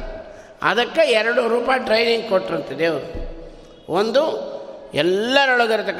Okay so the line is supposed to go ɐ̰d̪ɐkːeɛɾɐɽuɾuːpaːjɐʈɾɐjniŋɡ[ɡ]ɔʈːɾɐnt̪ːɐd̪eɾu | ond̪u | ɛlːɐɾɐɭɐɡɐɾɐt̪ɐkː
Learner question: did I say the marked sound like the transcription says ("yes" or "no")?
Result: no